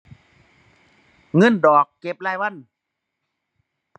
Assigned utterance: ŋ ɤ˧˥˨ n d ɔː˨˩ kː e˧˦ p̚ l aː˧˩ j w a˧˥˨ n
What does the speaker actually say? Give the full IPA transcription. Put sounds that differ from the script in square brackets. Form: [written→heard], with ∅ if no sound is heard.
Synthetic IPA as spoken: ŋ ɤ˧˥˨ n d ɔː˨˩ kː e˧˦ p̚ l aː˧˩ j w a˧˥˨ n